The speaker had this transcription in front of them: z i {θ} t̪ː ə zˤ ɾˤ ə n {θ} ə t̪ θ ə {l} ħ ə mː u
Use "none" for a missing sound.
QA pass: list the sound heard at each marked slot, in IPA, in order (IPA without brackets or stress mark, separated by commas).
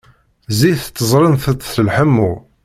θ, θ, l